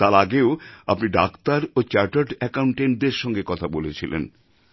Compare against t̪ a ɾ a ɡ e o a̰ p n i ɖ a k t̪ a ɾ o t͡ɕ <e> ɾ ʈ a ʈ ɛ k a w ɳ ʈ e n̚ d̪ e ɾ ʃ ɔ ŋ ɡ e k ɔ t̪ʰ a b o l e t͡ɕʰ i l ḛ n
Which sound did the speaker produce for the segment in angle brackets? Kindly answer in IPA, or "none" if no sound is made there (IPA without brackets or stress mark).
a